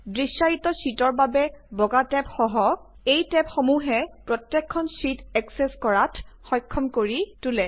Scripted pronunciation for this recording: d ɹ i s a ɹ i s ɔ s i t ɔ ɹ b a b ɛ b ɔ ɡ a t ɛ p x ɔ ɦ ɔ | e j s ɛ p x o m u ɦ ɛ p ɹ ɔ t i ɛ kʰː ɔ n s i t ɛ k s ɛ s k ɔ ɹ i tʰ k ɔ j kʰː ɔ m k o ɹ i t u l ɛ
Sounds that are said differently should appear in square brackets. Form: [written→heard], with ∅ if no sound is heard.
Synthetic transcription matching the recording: d ɹ i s a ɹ i [s→t] ɔ s i t ɔ ɹ b a b ɛ b ɔ ɡ a t ɛ p x ɔ ɦ ɔ | e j [s→t] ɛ p x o m u ɦ ɛ p ɹ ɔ t [i→j] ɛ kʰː ɔ n s i t ɛ k s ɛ s k ɔ ɹ [i→a] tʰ [k→x] ɔ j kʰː ɔ m k o ɹ i t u l ɛ